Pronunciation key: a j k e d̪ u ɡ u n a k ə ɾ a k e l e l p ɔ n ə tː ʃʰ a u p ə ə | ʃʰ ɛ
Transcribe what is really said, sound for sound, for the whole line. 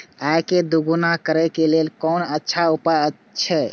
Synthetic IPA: a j k e d̪ u ɡ u n a k ə ɾ ɛ k e l e l k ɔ n ə tː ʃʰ a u p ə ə | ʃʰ ɛ